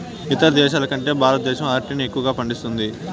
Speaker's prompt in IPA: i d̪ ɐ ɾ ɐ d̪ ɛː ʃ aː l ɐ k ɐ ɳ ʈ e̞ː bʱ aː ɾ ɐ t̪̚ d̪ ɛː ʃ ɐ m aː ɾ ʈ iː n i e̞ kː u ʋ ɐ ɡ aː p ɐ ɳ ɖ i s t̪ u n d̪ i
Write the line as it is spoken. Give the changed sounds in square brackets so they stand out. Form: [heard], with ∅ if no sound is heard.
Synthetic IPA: i [t̪] ɐ ɾ ɐ d̪ ɛː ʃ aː l ɐ k ɐ ɳ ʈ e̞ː bʱ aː ɾ ɐ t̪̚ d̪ ɛː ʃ ɐ m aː ɾ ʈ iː n i e̞ kː u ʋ ɐ ɡ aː p ɐ ɳ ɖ i s t̪ u n d̪ i